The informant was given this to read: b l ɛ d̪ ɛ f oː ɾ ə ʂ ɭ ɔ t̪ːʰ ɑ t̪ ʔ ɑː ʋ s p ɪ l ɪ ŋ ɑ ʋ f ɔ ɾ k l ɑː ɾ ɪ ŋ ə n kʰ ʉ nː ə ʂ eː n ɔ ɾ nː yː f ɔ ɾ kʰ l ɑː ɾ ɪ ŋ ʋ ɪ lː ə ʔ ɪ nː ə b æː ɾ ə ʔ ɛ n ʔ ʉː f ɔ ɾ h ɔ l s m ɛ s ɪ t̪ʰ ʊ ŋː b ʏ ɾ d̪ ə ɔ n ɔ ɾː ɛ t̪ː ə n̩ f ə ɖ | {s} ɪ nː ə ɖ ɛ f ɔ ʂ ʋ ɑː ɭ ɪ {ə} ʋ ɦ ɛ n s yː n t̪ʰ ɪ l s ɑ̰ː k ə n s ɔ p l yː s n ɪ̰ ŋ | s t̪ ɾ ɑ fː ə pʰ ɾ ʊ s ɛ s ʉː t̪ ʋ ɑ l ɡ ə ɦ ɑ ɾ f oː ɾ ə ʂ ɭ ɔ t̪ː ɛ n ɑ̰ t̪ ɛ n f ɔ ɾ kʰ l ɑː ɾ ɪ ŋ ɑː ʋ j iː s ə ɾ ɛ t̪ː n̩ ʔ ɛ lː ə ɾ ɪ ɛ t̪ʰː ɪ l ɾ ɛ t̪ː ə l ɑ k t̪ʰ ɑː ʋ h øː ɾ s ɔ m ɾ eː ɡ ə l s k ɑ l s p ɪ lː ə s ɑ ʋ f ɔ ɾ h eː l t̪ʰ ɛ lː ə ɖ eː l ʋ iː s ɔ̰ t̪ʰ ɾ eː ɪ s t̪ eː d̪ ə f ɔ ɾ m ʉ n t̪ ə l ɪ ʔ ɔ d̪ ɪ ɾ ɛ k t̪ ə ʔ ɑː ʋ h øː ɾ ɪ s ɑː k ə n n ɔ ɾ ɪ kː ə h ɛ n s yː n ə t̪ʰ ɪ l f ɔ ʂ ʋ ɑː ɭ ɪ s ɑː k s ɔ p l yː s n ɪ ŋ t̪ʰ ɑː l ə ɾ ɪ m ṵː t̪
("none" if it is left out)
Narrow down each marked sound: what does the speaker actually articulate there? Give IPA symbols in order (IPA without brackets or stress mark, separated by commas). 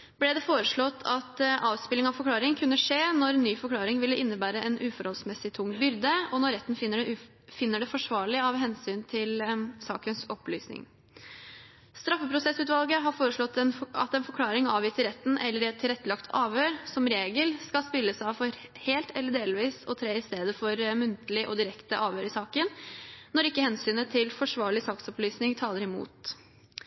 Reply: f, ɑ